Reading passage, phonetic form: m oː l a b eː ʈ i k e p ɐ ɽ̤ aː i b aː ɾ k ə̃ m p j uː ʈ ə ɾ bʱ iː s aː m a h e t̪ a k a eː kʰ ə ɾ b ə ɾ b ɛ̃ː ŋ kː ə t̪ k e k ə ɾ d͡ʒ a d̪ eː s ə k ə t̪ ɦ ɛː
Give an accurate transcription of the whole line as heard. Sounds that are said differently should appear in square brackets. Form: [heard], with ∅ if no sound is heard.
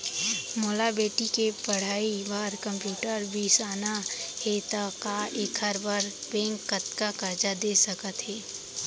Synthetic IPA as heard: m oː l a b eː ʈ i k e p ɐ ɽ̤ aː i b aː ɾ k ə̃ m p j uː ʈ ə ɾ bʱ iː s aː [n] a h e t̪ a k a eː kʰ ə ɾ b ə ɾ b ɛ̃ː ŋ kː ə t̪ k [a] k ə ɾ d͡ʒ a d̪ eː s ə k ə t̪ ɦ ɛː